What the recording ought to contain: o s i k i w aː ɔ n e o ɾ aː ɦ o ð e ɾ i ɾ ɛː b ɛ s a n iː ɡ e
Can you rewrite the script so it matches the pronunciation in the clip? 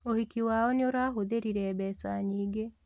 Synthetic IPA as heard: o h i k i w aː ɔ n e o ɾ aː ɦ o ð e ɾ i ɾ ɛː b ɛ s a ɲ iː ɡ e

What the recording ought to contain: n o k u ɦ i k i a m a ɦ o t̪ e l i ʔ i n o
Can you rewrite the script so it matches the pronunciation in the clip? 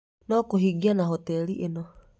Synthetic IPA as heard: n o k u ɦ i ɡ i a n a ɦ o t̪ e l i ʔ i n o

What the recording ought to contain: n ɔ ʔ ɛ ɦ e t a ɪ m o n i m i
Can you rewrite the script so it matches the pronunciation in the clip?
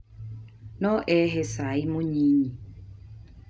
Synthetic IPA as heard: n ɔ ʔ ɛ ɦ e s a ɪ m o ɲ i ɲ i

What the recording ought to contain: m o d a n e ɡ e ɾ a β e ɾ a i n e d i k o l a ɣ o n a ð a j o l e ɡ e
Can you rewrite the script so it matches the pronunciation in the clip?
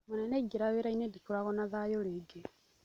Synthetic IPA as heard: m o n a n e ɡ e ɾ a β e ɾ a i n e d i k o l a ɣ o n a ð a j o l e ɡ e

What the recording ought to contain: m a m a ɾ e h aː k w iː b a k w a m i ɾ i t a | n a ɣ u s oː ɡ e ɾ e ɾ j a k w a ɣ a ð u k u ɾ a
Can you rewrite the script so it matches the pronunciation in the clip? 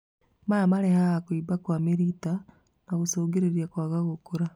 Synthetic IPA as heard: m a m a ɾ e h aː k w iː b a k w a m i ɾ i t a | n a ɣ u s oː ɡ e ɾ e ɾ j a k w a ɣ a ɣ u k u ɾ a

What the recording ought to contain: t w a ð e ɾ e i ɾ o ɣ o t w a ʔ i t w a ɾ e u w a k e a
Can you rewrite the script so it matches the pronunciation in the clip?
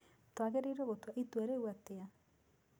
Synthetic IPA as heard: t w a ɣ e ɾ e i ɾ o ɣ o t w a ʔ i t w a ɾ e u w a t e a

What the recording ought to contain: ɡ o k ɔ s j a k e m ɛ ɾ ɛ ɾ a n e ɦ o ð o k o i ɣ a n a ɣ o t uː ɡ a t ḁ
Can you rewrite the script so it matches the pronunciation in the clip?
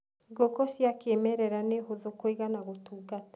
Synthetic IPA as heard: ɡ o k ɔ s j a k e m ɛ ɾ ɛ ɾ a n e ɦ o ð o k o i ɣ a n a ɣ o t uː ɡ a t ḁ

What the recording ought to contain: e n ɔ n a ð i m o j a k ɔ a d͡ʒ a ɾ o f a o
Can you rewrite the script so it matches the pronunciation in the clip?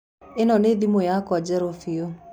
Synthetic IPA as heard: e n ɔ n e ð i m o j a k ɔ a d͡ʒ ɛ ɾ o f i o

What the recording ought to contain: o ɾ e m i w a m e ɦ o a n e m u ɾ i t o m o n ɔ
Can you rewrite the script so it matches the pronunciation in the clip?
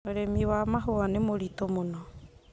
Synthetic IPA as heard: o ɾ e m i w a m a ɦ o a n e m o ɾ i t o m o n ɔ

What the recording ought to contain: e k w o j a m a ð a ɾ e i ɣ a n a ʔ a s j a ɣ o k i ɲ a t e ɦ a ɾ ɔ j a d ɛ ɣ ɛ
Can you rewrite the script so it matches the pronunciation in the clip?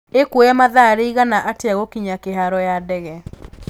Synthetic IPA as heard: e k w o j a m a ð a ɾ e i ɣ a n a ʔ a t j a ɣ o k i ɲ a k e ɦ a ɾ ɔ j a d ɛ ɣ ɛ

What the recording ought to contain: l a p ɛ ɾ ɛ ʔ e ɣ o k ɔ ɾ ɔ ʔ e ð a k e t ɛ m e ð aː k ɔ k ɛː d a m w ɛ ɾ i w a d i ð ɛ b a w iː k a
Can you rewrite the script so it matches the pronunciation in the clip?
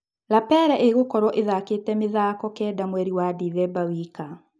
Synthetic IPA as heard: l a p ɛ ɾ ɛ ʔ e ɣ o k ɔ ɾ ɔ ʔ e ð a k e t ɛ m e ð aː k ɔ k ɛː d a m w ɛ ɾ i w a d i ð ɛ b a w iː k a

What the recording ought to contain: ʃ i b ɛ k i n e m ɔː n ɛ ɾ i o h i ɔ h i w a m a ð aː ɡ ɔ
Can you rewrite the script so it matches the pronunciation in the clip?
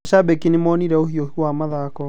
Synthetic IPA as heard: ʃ a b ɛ k i n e m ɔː n i ɾ ɛ o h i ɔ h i w a m a ð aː k ɔ

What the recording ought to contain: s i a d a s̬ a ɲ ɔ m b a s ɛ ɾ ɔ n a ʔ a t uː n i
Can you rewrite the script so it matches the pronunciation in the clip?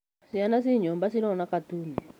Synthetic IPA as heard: s i a n a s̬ i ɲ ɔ m b a s i ɾ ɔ n a k a t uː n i

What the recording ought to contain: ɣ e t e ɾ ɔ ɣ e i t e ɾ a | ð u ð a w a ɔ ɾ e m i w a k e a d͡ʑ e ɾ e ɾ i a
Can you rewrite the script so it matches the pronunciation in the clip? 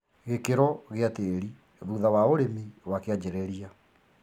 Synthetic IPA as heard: ɣ e k e ɾ ɔ ɣ e a t e ɾ i | ð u ð a w a o ɾ e m i w a k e a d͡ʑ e ɾ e ɾ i a

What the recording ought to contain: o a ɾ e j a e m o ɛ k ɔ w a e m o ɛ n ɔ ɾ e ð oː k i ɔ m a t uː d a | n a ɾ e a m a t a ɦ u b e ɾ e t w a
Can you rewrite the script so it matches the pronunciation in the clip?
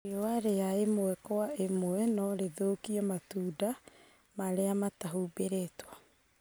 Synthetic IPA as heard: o a ɾ e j a e m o ɛ k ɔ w a e m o ɛ n ɔ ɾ e ð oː k i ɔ m a t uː d a | m a ɾ e a m a t a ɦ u b e ɾ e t w a

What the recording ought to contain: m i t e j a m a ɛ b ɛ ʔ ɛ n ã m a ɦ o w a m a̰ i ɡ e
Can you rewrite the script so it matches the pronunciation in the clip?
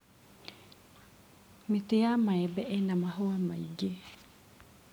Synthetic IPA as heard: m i t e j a m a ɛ b ɛ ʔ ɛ n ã m a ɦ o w a m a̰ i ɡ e

